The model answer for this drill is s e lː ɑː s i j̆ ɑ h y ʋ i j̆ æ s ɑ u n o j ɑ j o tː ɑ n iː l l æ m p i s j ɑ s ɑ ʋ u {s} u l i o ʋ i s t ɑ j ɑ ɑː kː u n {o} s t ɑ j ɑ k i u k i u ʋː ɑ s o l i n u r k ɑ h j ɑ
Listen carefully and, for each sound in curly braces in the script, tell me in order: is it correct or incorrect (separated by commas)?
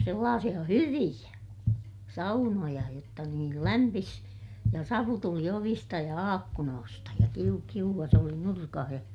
incorrect, incorrect